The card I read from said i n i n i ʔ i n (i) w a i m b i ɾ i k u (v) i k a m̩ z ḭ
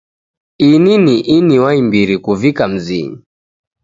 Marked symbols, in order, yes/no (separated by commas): yes, yes